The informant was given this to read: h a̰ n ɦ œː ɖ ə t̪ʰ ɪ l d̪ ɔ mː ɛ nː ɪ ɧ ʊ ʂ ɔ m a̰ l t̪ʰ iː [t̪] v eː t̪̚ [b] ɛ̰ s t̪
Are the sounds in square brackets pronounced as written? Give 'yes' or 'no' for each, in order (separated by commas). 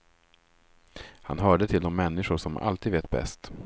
no, yes